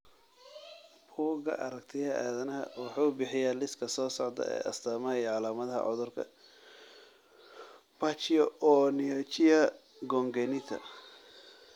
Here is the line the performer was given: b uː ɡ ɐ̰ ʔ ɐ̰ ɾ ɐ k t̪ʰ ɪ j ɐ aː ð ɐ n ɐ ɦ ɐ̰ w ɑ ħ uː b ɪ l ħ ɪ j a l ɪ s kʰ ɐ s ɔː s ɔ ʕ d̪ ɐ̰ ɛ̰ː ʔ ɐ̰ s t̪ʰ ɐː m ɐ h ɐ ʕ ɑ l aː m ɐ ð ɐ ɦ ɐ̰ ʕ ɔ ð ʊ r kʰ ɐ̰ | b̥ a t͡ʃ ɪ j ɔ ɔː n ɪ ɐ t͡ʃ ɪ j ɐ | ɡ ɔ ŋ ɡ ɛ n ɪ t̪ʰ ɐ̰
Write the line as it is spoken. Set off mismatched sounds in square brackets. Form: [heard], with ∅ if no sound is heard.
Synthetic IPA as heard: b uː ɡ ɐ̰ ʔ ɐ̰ ɾ ɐ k t̪ʰ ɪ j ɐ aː ð ɐ n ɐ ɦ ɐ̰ w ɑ ħ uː b ɪ [∅] ħ ɪ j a l ɪ s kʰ ɐ s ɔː s ɔ ʕ d̪ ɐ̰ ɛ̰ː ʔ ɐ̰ s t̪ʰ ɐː m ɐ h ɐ ʕ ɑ l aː m ɐ ð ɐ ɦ ɐ̰ ʕ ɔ ð ʊ r kʰ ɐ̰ | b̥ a t͡ʃ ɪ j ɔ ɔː n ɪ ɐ t͡ʃ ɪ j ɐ | ɡ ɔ ŋ ɡ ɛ n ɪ t̪ʰ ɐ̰